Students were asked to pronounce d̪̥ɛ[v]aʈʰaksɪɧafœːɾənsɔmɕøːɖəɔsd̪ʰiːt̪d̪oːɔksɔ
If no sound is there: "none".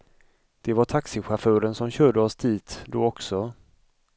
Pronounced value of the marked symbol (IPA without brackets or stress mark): v